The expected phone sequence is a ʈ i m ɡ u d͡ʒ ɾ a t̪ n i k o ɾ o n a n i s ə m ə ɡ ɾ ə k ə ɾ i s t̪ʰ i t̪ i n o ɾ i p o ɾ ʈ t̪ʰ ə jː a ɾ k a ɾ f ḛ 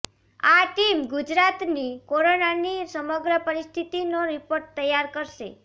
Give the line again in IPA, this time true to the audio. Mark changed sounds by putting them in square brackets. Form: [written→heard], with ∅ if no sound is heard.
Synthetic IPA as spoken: a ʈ i m ɡ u d͡ʒ ɾ a t̪ n i k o ɾ o n a n i s ə m ə ɡ ɾ ə [k→p] ə ɾ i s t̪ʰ i t̪ i n o ɾ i p o ɾ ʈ [t̪ʰ→t̪] ə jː a ɾ k [a→ə] ɾ [f→ʃ] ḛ